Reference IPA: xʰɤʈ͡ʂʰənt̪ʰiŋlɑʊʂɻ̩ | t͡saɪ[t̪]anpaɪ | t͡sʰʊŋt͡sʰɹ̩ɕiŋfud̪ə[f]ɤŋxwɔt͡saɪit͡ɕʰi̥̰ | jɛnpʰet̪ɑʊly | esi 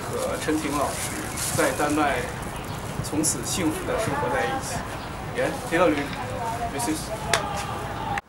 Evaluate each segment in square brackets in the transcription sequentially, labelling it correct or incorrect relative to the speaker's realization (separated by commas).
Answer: correct, incorrect